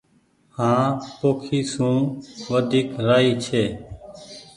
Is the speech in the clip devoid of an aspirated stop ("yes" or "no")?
no